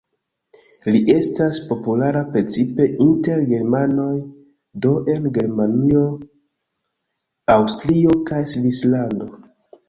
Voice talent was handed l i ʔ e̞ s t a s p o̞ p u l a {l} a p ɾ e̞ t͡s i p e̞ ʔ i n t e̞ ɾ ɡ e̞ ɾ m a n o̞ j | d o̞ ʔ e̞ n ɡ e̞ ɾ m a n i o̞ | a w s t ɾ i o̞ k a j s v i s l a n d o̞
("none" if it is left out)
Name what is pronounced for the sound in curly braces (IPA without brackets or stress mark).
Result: ɾ